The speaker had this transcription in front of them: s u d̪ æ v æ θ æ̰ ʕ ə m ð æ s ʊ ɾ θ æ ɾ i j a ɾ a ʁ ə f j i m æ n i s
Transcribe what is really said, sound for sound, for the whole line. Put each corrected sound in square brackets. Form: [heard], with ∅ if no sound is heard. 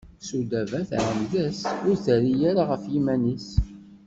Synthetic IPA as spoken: s u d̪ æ v æ θ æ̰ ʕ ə m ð æ s ʊ ɾ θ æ ɾ i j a ɾ a ʁ ə f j i m æ n i s